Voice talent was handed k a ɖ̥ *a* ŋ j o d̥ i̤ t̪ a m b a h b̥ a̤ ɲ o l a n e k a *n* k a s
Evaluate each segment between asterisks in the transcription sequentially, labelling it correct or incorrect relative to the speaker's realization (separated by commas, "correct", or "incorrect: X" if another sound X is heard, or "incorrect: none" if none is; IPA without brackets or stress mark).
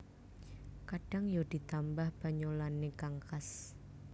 correct, incorrect: ŋ